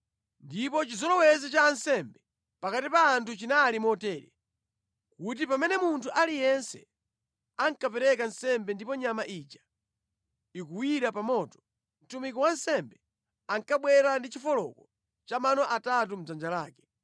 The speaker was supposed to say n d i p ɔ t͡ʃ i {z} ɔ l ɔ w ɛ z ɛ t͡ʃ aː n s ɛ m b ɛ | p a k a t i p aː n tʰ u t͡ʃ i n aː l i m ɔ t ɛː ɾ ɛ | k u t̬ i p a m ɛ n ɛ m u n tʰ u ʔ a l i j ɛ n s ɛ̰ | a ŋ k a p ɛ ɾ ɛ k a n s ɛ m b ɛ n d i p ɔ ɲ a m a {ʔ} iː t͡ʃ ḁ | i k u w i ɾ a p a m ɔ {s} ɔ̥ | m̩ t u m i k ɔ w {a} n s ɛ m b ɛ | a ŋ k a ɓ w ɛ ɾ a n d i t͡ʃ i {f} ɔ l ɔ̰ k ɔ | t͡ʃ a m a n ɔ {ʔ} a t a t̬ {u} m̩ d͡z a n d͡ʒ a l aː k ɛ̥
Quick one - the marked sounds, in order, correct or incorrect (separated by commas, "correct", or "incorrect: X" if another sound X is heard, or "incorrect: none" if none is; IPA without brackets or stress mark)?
correct, correct, incorrect: t, correct, correct, correct, correct